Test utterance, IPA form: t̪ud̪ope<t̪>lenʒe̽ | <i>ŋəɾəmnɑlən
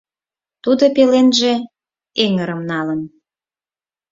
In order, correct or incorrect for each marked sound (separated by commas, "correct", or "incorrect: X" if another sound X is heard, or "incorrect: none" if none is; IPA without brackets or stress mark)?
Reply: incorrect: none, incorrect: e